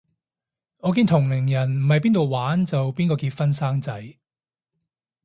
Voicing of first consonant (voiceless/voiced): voiced